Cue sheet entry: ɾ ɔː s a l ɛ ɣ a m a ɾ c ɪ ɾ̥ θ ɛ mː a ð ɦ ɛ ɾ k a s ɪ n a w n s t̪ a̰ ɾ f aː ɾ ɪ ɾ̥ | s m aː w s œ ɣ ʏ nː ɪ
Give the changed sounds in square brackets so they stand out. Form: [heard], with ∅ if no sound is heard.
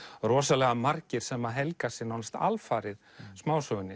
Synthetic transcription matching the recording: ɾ ɔː s a l ɛ ɣ a m a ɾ c ɪ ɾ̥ [s] ɛ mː a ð ɦ ɛ [l] k a s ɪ n a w n s t̪ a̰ [l] f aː ɾ ɪ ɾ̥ | s m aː w s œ ɣ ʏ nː ɪ